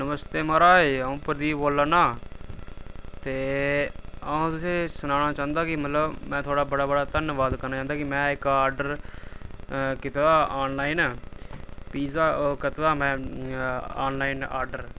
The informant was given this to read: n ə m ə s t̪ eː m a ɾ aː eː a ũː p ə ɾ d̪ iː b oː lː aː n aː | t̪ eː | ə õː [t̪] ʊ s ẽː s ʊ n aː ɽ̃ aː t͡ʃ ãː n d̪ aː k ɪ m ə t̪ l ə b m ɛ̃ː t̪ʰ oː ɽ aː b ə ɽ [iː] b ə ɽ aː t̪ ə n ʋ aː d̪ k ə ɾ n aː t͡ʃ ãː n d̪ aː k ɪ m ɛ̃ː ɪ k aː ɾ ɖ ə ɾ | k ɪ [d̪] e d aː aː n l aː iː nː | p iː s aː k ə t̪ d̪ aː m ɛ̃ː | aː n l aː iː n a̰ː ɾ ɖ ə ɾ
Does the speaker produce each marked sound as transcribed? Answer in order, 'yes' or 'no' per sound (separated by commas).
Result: yes, no, no